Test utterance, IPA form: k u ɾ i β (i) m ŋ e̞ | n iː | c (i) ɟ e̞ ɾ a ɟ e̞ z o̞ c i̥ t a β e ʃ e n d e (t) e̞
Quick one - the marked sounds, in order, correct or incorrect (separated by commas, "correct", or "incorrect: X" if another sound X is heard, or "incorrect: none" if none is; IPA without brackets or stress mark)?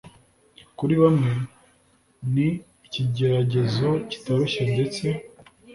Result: incorrect: a, correct, incorrect: t͡s